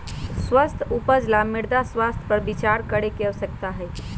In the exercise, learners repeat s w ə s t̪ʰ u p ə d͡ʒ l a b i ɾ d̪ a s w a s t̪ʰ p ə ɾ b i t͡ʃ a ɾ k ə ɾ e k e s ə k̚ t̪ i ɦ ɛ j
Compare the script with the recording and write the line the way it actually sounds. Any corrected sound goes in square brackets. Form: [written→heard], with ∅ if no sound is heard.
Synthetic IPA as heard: s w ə s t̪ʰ u p ə d͡ʒ l a [b→m] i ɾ d̪ a s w a s t̪ʰ p ə ɾ b i t͡ʃ a ɾ k ə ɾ e k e s ə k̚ t̪ [i→a] ɦ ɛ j